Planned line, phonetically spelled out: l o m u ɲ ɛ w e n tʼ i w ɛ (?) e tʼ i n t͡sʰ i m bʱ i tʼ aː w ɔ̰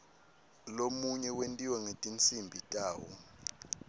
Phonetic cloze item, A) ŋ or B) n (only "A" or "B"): A